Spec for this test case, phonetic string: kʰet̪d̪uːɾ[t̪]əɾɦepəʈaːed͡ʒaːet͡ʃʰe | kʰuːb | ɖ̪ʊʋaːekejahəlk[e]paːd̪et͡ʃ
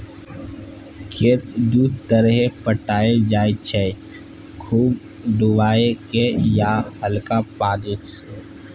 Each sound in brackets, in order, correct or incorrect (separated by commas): correct, incorrect